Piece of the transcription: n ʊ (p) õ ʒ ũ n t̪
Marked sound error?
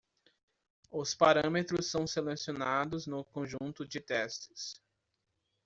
yes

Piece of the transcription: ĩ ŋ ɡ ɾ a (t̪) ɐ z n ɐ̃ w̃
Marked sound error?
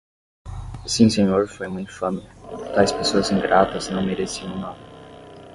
no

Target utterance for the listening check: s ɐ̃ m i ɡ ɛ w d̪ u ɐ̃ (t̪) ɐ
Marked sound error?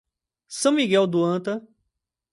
no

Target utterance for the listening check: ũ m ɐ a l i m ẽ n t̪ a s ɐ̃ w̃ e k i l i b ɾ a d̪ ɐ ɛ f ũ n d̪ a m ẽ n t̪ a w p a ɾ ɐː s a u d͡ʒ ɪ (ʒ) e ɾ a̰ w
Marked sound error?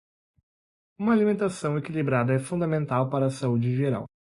no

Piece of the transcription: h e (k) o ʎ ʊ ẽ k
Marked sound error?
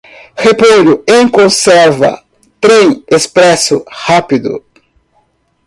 yes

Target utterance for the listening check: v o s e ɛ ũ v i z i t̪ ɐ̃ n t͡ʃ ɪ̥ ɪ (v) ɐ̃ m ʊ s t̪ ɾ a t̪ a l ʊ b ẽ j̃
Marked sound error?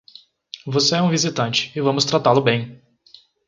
no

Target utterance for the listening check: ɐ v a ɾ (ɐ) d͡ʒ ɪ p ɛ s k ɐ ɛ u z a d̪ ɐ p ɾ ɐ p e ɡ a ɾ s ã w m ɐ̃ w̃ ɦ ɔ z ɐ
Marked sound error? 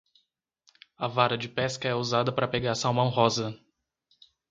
no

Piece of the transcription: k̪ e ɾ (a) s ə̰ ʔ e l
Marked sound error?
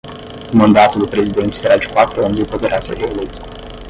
no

